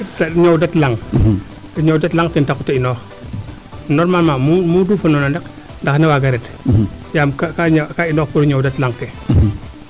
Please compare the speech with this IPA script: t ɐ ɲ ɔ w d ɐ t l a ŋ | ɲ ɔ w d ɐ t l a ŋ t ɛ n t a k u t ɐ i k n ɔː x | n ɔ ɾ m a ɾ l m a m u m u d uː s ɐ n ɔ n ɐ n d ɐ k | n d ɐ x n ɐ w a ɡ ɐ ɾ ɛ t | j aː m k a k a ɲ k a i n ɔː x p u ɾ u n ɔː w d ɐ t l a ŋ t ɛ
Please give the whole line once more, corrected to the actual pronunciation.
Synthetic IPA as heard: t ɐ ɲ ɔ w d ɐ t l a ŋ | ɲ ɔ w d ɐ t l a ŋ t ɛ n t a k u t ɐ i n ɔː x | n ɔ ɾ m a l m a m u m u d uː f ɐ n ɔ n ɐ n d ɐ k | n d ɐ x n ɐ w a ɡ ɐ ɾ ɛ t | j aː m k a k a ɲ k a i n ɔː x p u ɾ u ɲ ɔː w d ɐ t l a ŋ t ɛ